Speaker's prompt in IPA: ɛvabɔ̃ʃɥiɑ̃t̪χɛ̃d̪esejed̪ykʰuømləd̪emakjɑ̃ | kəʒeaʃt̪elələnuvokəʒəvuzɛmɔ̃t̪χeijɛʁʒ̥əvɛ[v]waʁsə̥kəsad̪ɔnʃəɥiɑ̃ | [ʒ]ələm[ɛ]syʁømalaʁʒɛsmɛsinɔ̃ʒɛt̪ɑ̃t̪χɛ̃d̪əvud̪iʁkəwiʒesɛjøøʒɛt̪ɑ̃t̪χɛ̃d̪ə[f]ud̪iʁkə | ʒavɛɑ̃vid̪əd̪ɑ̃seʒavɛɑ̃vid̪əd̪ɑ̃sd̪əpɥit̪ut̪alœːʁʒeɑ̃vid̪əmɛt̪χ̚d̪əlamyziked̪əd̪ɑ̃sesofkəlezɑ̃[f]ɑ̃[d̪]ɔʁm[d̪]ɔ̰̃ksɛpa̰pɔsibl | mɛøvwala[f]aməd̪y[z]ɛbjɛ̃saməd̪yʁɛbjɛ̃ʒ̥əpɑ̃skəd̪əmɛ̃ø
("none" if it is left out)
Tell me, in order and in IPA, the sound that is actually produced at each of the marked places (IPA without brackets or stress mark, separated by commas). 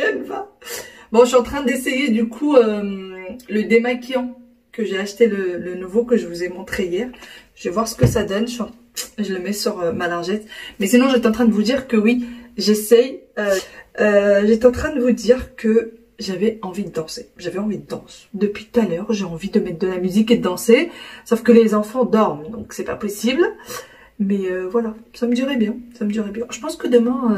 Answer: v, ʒ, ɛ, v, f, d̪, d̪, s, ʁ